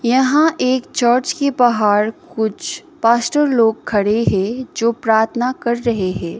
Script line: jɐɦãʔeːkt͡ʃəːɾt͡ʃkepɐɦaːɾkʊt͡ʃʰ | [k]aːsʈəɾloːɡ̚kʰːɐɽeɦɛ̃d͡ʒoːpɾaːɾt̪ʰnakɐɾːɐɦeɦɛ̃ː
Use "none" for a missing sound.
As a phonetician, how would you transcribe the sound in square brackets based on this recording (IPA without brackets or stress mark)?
p